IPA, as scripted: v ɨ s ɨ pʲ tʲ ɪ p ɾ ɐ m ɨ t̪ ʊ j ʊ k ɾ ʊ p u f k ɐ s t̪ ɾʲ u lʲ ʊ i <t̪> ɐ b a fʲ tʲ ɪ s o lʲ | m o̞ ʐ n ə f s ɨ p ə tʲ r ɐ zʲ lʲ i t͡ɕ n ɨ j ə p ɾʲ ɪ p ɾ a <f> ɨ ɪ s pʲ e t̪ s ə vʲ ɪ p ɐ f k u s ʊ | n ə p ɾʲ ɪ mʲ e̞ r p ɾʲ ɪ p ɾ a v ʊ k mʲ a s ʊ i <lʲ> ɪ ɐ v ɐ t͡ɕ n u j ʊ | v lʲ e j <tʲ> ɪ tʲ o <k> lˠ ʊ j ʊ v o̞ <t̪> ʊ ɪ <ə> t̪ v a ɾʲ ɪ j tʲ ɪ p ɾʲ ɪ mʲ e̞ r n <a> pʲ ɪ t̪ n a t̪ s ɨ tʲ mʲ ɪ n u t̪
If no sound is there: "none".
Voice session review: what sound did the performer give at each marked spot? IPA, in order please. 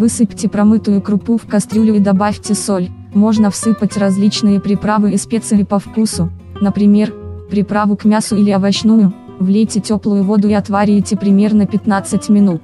d̪, v, lʲ, tʲ, p, d̪, ɐ, ə

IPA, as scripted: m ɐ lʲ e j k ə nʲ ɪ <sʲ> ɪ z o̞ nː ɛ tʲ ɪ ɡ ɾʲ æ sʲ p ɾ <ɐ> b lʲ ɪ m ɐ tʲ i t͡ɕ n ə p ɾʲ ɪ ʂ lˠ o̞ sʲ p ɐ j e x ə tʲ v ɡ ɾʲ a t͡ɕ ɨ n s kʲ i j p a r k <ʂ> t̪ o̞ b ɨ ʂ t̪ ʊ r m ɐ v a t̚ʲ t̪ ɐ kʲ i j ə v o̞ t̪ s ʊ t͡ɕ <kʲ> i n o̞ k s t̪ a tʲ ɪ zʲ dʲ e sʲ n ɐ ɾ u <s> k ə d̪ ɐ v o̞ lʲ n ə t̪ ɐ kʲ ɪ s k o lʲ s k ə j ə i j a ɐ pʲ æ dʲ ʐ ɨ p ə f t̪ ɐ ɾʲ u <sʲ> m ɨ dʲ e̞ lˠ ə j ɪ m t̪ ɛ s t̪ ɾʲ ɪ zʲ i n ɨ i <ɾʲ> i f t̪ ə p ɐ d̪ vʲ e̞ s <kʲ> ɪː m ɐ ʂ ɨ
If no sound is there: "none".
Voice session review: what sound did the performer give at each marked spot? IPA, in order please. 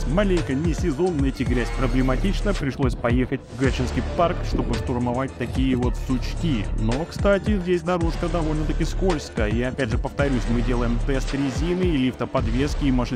sʲ, ə, ʂ, kʲ, ʂ, sʲ, lʲ, kʲ

